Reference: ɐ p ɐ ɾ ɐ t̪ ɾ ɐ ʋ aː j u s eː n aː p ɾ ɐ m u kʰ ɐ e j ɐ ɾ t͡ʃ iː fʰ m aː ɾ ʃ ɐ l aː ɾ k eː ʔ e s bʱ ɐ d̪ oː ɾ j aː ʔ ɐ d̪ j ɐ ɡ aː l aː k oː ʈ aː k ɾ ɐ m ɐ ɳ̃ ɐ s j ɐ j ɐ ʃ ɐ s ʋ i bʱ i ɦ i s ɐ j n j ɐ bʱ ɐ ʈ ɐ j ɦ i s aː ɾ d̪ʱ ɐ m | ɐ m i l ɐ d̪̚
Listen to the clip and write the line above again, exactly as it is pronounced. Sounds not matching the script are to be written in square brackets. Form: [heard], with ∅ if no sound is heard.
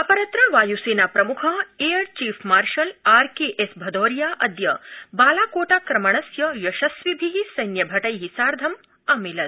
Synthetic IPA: ɐ p ɐ ɾ ɐ t̪ ɾ ɐ ʋ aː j u s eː n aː p ɾ ɐ m u kʰ ɐ e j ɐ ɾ t͡ʃ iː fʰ m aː ɾ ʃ ɐ l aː ɾ k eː ʔ e s bʱ ɐ d̪ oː ɾ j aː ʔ ɐ d̪ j ɐ [b] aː l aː k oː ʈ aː k ɾ ɐ m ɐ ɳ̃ ɐ s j ɐ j ɐ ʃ ɐ s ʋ i bʱ i ɦ i s ɐ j n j ɐ bʱ ɐ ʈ ɐ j ɦ i s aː ɾ d̪ʱ ɐ m | ɐ m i l ɐ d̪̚